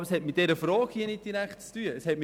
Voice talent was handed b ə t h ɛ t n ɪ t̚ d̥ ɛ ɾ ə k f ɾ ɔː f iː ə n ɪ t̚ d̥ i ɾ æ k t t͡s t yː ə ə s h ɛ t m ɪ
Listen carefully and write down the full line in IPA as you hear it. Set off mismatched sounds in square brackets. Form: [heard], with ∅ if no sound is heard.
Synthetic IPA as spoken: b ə [s] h ɛ t [m] ɪ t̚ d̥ ɛ ɾ ə [∅] f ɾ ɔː [h] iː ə n ɪ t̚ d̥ i ɾ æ k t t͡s t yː ə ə s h ɛ t m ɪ